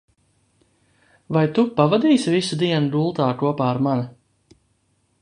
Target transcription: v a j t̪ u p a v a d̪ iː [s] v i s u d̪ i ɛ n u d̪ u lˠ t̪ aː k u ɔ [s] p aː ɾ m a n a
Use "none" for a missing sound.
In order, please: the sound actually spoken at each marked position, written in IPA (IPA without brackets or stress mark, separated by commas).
s, none